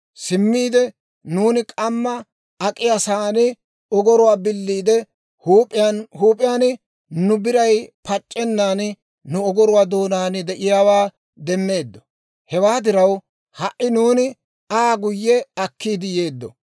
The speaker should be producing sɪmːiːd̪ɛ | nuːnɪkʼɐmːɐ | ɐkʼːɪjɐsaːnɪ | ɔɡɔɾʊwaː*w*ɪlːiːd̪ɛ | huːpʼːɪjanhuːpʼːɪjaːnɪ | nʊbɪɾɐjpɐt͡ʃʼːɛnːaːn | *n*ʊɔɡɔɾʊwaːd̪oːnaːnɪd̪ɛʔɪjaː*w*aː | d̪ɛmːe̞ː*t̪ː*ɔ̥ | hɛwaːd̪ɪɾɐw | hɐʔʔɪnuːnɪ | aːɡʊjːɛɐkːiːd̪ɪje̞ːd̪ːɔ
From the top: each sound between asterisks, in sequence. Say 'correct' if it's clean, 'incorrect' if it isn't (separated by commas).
incorrect, correct, correct, incorrect